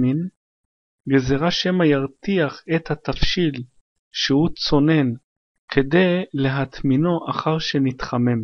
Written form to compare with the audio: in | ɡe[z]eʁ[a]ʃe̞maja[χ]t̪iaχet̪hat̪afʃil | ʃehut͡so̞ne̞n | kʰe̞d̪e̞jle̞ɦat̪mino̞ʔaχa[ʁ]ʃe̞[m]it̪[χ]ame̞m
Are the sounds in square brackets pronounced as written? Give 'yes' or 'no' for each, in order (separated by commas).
yes, yes, no, yes, no, yes